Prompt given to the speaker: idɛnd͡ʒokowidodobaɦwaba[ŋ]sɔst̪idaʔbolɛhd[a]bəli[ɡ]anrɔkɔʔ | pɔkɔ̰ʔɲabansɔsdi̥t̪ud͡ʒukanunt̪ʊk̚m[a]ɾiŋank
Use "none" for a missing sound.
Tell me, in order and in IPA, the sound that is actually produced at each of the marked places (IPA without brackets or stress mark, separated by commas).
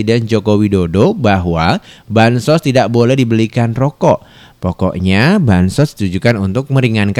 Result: n, i, k, ə